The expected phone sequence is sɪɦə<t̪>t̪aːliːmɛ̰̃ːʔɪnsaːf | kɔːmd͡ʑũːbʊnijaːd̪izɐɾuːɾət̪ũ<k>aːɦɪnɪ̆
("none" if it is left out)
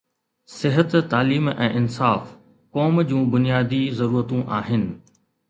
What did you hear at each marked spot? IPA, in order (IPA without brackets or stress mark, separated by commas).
t̪, ʔ